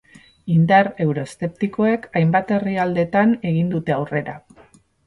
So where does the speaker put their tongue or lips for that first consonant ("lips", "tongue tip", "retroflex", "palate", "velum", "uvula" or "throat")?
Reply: tongue tip